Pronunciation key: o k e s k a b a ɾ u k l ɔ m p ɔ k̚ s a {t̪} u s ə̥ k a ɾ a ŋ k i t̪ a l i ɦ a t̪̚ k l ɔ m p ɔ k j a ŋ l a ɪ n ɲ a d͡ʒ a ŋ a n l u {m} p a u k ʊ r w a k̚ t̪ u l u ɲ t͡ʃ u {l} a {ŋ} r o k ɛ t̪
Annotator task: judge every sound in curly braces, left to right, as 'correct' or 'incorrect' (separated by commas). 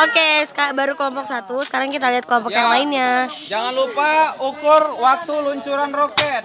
correct, incorrect, incorrect, incorrect